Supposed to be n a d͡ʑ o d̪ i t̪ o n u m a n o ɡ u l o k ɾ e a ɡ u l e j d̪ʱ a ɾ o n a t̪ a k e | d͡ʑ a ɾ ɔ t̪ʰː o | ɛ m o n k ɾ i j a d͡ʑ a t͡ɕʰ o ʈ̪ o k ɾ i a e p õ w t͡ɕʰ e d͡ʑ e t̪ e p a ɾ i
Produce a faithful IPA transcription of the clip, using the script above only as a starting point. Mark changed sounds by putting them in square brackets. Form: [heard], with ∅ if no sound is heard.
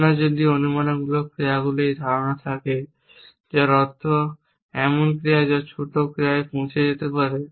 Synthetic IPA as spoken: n a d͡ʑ o d̪ i [∅] o n u m a n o ɡ u l o k ɾ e a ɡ u l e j d̪ʱ a ɾ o n a [t̪ʰ] a k e | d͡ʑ a ɾ ɔ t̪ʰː o | ɛ m o n k ɾ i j a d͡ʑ a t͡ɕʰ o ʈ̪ o k ɾ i a e p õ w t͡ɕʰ e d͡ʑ e t̪ e p a ɾ [e]